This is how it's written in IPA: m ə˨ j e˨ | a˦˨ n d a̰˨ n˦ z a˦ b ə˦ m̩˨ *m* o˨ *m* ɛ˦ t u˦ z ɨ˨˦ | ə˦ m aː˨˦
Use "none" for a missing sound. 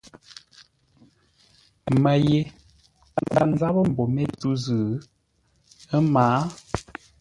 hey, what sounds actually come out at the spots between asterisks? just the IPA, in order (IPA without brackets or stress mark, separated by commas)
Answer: b, m